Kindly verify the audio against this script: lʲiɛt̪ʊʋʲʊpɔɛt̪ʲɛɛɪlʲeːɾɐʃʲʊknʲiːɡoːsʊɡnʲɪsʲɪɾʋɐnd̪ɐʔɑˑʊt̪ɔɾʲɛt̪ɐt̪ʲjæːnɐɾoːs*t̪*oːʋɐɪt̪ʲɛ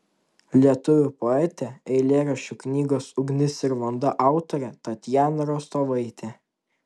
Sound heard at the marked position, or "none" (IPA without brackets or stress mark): t̪